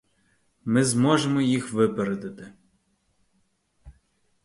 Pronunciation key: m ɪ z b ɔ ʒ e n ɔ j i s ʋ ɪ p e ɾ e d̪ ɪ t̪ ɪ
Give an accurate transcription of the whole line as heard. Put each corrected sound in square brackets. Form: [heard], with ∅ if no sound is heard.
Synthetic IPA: m ɪ z [m] ɔ ʒ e [m] ɔ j i [x] ʋ ɪ p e ɾ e d̪ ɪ t̪ ɪ